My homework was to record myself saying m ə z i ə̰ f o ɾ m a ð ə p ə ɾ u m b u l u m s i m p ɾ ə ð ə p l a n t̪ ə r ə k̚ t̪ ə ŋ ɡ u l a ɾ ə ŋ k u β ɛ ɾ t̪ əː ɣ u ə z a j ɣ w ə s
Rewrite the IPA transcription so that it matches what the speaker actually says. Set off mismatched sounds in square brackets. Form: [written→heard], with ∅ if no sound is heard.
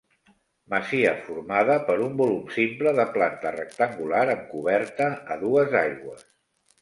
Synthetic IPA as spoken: m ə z i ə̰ f [o→u] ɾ m a ð ə p ə ɾ u m b u l u m s i m p [ɾ→l] ə ð ə p l a n t̪ ə r ə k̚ t̪ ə ŋ ɡ u l a ɾ ə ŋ k u β ɛ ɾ t̪ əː [ɣ→ð] u ə z a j ɣ w ə s